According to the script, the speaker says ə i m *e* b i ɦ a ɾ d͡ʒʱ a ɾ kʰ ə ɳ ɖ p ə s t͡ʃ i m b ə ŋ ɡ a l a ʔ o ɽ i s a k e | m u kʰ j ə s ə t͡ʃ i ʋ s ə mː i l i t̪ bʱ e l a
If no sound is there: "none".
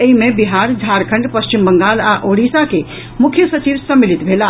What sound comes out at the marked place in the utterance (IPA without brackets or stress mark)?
e